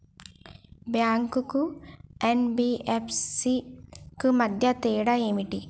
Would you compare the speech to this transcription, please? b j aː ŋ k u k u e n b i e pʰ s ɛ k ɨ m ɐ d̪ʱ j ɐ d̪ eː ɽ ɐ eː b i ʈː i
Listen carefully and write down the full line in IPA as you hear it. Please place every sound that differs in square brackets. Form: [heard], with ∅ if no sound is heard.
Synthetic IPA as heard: b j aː ŋ k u k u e n b i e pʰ s [i] k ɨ m ɐ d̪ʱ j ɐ [t̪] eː ɽ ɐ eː [m] i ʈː i